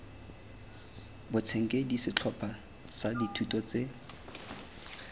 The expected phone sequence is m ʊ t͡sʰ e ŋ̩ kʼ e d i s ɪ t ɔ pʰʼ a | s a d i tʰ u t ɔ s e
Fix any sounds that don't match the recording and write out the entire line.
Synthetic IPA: b ʊ t͡sʰ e ŋ̩ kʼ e d i s ɪ t͡ɬʰ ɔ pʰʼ a | s a d i tʰ u t ɔ t͡s e